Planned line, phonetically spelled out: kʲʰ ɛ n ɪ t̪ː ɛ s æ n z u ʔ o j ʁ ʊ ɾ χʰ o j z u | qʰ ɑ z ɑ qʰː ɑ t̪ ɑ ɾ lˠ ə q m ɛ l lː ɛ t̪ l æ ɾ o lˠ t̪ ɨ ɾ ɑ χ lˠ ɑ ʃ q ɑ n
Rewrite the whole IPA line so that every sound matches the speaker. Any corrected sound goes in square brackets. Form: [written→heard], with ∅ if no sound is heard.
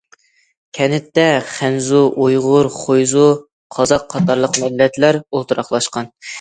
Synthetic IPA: kʲʰ ɛ n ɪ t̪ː ɛ [s→χ] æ n z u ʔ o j ʁ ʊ ɾ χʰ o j z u | qʰ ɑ z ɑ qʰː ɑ t̪ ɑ ɾ lˠ ə q m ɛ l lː ɛ t̪ l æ ɾ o lˠ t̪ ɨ ɾ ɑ χ lˠ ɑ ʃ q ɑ n